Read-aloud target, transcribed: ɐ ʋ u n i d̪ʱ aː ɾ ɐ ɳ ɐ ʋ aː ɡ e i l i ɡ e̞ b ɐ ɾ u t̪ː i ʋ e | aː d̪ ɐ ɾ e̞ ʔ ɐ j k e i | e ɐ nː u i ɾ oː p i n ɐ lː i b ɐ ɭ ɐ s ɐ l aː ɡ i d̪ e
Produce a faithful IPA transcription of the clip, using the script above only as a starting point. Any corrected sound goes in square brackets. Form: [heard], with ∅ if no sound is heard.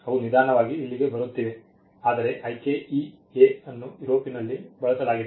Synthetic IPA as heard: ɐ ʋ u n i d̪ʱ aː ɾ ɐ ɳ ɐ ʋ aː ɡ [i] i [lː] i ɡ e̞ b ɐ ɾ u t̪ː i ʋ e | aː d̪ ɐ ɾ e̞ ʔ ɐ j k e i | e ɐ nː u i ɾ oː p i n ɐ lː i b ɐ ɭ ɐ s ɐ l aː ɡ i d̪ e